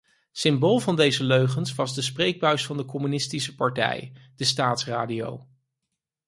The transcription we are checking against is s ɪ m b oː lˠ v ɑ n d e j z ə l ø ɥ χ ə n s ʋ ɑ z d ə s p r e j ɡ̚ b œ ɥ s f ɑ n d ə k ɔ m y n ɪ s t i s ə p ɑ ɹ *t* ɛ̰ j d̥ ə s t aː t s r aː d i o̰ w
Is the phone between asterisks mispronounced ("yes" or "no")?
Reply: no